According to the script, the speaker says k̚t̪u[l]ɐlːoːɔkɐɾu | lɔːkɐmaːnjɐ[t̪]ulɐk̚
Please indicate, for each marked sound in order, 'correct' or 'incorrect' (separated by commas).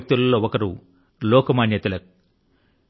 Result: correct, correct